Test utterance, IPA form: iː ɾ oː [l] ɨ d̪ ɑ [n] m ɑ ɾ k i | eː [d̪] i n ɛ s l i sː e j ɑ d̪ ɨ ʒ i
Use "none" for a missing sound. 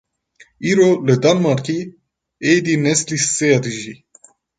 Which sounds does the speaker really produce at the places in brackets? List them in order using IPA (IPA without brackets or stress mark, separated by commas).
l, n, d̪